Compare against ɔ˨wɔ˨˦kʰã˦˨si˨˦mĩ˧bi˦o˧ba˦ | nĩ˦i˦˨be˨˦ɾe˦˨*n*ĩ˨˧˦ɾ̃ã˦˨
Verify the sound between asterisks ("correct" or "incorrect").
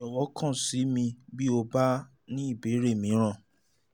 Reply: incorrect